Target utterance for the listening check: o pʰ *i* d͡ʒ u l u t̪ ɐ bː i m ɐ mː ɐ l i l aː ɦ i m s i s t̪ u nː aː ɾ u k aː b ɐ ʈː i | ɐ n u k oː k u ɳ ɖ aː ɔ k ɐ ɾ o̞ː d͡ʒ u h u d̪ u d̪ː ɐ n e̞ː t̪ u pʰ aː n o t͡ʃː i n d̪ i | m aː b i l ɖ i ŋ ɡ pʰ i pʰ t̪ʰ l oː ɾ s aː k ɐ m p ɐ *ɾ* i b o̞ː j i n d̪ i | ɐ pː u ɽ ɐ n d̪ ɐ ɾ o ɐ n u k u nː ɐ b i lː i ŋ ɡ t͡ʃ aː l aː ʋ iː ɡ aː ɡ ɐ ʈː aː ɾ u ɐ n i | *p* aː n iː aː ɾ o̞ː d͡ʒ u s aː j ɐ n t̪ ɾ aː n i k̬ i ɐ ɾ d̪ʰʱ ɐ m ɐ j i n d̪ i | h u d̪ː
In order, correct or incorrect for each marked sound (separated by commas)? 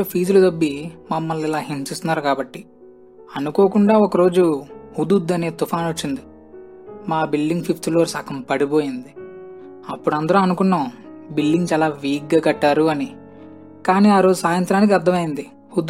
incorrect, incorrect, incorrect